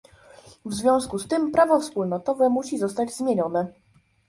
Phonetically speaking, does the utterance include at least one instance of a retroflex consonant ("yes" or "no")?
no